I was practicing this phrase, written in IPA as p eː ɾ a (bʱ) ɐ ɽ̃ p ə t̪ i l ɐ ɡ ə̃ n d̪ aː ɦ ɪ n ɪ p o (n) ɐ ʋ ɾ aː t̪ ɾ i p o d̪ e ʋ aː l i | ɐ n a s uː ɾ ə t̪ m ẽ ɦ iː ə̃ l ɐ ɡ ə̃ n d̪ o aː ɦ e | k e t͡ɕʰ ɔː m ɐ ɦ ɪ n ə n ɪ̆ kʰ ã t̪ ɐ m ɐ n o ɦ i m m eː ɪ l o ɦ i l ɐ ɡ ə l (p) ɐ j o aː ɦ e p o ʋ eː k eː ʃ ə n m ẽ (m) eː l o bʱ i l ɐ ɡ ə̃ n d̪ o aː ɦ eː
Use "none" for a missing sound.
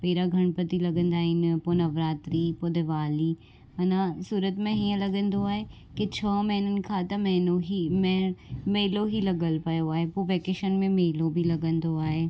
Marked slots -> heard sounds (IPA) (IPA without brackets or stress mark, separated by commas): ɡʱ, n, p, m